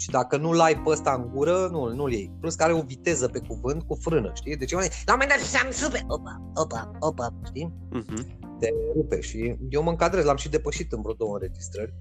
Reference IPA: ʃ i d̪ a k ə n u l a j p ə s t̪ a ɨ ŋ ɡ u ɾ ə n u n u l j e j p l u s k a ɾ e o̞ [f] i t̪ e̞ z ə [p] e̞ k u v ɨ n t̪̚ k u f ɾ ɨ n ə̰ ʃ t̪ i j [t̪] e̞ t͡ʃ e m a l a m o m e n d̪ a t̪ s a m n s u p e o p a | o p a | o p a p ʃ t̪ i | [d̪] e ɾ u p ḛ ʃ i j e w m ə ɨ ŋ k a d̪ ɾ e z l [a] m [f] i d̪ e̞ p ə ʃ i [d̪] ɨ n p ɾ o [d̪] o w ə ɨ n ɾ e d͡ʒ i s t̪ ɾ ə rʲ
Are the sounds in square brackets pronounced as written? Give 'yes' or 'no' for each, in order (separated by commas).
no, yes, no, no, yes, no, no, yes